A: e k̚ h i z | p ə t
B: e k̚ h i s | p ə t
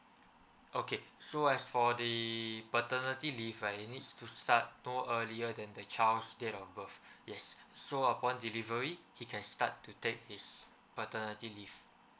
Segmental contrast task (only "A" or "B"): B